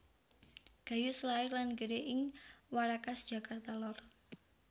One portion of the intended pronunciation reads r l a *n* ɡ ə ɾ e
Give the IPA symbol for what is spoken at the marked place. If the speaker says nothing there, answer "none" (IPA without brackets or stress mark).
n